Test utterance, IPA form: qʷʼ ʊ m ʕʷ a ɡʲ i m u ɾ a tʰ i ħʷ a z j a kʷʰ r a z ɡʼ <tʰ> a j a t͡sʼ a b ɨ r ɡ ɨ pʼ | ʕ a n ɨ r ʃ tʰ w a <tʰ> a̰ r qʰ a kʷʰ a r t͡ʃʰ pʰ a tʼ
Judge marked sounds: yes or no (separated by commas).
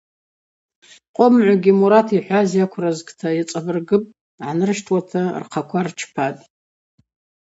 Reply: yes, yes